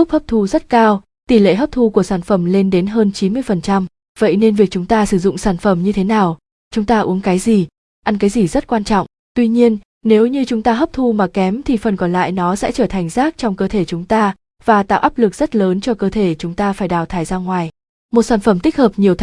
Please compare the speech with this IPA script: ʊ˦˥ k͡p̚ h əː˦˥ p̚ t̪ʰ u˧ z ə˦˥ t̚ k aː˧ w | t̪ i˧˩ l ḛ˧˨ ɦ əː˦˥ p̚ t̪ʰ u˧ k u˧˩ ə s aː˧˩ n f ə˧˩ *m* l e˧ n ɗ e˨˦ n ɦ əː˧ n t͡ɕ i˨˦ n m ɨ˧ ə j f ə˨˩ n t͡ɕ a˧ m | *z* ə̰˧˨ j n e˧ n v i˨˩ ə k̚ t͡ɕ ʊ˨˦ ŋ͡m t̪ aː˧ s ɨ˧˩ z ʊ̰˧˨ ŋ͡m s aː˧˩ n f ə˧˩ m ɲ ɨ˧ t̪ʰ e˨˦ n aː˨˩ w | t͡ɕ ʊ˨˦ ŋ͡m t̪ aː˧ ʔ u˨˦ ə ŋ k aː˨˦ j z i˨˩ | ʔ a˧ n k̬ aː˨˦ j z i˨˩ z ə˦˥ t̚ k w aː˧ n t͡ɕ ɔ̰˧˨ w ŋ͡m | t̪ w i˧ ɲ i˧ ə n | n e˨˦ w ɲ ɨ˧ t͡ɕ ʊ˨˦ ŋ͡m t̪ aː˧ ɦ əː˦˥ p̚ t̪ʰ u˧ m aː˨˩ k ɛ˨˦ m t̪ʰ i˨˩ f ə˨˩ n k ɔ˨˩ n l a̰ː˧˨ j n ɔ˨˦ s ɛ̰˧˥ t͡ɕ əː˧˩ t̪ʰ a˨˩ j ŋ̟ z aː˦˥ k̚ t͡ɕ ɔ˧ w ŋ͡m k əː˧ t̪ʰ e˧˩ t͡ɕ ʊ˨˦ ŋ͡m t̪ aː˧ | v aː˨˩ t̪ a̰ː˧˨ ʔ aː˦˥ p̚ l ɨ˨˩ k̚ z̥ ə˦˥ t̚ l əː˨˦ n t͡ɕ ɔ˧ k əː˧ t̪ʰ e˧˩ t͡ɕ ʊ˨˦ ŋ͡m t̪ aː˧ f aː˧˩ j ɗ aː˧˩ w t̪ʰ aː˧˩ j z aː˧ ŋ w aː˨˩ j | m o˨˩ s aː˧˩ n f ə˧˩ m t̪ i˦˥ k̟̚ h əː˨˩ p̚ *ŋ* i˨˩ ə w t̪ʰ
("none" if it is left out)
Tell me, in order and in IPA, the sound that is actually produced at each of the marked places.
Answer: m, v, ɲ

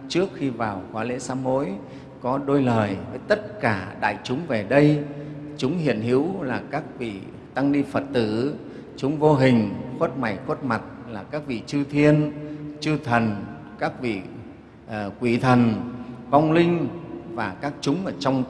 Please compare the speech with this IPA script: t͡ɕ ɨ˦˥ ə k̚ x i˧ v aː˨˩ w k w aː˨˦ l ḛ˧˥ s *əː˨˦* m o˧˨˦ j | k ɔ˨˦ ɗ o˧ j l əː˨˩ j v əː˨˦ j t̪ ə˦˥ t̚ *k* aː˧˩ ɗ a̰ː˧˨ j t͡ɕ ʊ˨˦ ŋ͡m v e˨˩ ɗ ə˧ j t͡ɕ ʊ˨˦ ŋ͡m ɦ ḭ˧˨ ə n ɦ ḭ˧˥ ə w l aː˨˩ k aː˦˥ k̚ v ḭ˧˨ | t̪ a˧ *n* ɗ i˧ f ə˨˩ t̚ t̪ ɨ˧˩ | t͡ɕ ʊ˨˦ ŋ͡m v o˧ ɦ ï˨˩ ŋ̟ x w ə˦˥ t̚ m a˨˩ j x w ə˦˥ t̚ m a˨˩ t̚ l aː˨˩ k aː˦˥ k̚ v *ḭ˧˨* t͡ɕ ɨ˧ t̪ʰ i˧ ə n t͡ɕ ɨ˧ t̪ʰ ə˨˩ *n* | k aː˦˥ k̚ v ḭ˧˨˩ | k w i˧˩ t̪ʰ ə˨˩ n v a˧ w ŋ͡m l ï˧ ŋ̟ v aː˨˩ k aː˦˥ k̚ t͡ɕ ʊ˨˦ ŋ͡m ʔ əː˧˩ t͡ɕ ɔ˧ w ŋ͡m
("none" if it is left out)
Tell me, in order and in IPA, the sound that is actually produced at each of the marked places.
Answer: aː˨˦, k, ŋ, ḭ˧˨, n

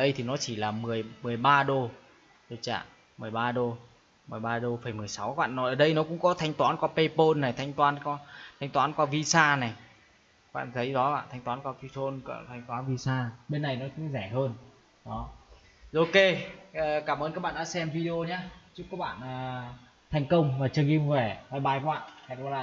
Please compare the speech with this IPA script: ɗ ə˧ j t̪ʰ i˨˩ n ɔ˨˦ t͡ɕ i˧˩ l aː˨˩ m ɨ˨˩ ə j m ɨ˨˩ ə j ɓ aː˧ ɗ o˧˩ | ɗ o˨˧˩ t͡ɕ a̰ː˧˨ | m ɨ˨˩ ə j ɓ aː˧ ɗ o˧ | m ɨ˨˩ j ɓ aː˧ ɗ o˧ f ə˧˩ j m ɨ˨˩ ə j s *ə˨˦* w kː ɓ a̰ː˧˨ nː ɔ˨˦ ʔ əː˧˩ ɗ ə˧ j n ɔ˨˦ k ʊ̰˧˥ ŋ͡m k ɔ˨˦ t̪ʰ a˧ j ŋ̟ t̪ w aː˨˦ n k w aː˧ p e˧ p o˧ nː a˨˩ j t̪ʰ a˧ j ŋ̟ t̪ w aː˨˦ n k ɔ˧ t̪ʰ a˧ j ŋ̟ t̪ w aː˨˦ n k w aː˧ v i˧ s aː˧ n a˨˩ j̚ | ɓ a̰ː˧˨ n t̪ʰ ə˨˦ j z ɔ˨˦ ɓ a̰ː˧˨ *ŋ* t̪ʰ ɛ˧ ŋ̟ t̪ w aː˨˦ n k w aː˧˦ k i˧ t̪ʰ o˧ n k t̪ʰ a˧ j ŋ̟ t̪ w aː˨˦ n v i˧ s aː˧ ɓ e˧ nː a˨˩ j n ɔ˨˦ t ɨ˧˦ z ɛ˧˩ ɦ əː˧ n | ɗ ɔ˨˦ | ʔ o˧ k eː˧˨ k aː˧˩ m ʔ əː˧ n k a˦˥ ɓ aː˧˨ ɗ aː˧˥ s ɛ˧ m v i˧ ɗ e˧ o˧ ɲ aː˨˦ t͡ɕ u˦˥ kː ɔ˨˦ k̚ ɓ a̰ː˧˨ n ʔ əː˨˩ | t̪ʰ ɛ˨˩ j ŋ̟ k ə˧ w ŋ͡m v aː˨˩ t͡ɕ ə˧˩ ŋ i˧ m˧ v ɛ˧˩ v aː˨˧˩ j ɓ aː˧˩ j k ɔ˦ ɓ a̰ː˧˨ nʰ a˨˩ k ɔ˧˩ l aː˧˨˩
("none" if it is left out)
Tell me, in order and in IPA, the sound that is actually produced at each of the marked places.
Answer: a˨˦, n

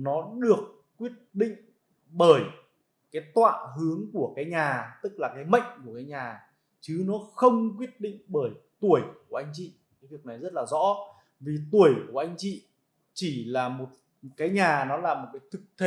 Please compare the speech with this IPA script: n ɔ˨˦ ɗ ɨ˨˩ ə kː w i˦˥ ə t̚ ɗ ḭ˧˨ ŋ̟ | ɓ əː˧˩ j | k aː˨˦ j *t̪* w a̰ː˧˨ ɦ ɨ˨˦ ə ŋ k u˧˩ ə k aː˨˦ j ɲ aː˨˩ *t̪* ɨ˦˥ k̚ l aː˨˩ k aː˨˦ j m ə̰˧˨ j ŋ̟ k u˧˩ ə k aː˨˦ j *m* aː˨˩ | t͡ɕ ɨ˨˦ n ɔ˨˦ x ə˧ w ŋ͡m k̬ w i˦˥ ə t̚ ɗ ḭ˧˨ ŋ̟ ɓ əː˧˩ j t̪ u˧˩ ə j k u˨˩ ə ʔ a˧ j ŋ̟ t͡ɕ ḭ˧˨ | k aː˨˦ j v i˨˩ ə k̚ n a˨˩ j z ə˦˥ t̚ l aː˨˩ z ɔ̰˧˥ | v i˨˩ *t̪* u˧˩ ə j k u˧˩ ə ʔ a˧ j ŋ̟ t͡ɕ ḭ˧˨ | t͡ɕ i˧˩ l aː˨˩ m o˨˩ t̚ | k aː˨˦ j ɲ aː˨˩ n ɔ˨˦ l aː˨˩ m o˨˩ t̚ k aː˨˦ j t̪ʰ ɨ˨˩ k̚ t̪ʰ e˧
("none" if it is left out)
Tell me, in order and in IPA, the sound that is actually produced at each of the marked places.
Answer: t̪, t̪, ɲ, t̪

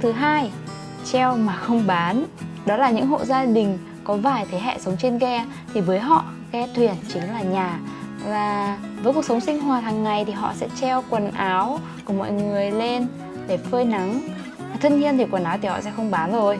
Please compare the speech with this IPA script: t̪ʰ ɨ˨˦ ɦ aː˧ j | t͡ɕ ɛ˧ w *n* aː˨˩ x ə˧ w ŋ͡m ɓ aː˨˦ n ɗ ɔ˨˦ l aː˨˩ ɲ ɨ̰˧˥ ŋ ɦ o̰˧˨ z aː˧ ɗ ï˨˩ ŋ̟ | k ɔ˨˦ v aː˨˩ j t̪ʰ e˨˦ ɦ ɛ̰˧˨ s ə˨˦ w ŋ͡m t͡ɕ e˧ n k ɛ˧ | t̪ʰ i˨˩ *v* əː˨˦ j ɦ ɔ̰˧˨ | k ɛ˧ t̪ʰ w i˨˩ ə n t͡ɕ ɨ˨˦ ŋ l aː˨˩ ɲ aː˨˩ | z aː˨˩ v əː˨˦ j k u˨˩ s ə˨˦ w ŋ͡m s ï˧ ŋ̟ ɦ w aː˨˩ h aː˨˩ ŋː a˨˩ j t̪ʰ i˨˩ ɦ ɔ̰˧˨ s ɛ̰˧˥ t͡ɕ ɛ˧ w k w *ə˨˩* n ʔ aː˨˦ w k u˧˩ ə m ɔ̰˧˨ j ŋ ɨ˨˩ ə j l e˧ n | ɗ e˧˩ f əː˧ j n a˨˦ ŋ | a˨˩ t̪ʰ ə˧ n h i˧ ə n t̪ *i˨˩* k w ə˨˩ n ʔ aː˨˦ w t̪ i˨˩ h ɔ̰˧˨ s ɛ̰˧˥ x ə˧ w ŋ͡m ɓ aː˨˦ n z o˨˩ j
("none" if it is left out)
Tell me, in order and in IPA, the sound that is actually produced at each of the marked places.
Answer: m, v, ə˨˩, i˨˩

